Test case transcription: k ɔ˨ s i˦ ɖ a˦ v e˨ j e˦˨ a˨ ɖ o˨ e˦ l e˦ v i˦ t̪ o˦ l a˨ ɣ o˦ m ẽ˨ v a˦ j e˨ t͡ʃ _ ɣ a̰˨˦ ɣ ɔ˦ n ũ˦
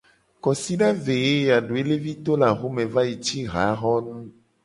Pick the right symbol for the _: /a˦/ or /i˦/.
i˦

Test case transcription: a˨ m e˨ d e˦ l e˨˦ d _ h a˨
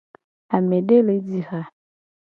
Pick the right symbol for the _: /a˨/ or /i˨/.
i˨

